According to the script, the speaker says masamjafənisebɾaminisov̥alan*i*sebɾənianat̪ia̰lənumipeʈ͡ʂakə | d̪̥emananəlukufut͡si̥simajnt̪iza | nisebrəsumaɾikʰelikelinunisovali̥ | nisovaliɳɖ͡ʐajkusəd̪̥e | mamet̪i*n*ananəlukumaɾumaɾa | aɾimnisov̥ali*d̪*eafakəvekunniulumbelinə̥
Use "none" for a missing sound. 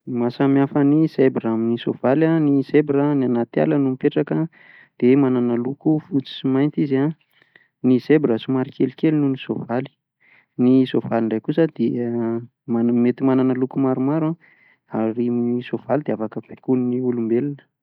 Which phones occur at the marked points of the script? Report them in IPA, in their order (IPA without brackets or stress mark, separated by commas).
i, m, d̪